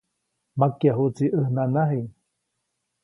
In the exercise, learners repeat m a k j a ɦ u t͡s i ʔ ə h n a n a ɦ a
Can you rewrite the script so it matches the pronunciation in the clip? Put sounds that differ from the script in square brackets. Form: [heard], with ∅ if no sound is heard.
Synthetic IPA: m a k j a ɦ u t͡s i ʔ ə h n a n a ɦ [i]